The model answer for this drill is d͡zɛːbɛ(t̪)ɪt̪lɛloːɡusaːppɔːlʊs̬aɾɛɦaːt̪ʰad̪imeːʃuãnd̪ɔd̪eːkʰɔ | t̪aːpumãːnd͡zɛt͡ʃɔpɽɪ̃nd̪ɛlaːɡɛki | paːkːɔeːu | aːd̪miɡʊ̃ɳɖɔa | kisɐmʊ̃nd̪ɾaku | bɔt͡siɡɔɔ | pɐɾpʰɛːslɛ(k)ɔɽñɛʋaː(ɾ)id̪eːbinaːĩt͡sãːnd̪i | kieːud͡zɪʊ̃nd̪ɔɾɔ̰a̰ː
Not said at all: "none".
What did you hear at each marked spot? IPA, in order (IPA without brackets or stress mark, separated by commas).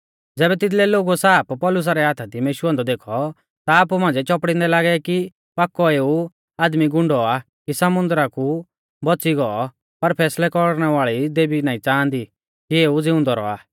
t̪, k, ɭ